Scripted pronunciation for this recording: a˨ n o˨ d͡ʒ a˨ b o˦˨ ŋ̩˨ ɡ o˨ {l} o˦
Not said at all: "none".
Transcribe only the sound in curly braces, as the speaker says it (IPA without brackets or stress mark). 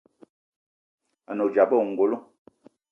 l